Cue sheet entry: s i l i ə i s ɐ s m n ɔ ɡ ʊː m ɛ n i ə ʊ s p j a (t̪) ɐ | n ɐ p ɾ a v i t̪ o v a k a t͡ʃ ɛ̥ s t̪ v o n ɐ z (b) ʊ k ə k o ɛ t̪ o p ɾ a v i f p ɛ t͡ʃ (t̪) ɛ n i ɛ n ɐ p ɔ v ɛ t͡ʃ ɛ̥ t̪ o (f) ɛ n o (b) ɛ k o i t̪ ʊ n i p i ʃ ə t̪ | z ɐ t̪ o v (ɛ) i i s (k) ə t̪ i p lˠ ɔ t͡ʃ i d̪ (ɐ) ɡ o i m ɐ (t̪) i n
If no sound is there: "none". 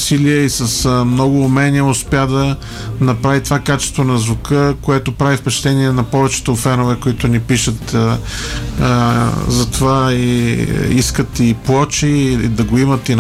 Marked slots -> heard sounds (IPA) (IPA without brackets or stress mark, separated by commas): d̪, v, t̪, f, v, a, k, ɐ, t̪